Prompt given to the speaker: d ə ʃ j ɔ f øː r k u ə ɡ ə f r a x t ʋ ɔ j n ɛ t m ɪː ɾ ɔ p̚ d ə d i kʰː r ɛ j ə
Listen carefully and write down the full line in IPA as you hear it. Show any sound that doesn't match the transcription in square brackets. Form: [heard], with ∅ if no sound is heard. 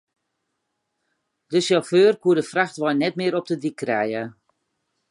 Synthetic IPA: d ə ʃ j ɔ f øː r k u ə [d] ə f r a x t ʋ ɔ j n ɛ t m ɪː ɾ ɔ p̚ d ə d i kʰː r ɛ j ə